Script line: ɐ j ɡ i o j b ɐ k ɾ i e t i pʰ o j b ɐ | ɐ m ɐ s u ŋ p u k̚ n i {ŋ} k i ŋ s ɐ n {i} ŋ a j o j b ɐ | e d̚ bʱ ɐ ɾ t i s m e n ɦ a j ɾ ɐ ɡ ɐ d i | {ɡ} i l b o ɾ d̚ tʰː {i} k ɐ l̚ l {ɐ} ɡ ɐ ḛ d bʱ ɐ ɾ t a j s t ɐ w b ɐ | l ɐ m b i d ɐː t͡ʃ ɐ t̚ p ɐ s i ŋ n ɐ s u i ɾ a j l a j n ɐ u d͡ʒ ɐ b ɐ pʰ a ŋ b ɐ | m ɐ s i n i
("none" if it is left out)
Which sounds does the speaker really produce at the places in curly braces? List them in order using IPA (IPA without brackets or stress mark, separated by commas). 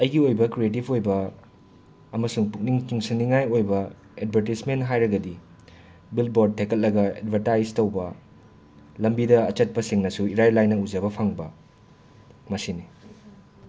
ŋ, i, b, e, ɐ